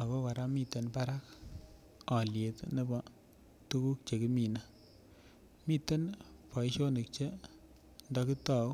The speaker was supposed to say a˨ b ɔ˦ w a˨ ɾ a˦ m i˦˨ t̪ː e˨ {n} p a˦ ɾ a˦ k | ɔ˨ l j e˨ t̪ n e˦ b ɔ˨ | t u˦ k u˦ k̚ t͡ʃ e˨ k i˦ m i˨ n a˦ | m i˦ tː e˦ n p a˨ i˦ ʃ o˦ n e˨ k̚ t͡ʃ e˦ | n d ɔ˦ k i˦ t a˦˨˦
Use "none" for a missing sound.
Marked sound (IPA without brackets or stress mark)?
n